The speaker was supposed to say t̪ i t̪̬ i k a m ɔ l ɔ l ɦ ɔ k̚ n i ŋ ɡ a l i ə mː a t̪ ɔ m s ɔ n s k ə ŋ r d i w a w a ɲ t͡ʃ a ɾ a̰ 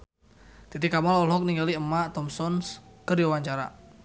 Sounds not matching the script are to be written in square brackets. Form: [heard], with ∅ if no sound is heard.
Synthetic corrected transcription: t̪ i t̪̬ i k a m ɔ l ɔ l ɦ ɔ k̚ n i ŋ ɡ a l i ə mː a t̪ ɔ m s ɔ n s k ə [∅] r d i w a w a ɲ t͡ʃ a ɾ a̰